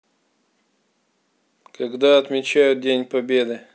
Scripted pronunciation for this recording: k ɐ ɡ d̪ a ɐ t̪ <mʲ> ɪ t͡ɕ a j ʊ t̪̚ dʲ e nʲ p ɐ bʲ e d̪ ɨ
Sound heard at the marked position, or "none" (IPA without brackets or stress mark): mʲ